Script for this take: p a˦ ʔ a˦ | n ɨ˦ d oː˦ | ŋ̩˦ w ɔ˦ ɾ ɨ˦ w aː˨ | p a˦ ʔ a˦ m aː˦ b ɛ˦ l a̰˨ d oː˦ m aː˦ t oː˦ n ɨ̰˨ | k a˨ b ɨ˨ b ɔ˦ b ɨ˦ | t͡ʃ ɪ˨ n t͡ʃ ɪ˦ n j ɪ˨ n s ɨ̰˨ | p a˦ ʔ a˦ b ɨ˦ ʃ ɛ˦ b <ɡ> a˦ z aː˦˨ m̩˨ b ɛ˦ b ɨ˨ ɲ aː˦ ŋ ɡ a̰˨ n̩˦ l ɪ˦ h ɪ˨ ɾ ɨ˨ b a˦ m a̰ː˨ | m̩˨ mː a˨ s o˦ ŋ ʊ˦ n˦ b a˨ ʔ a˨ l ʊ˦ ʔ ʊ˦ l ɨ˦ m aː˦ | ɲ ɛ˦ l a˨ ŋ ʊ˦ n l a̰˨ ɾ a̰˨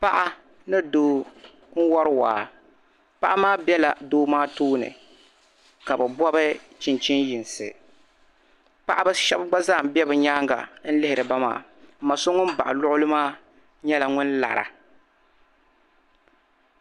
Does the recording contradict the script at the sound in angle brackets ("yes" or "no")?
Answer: yes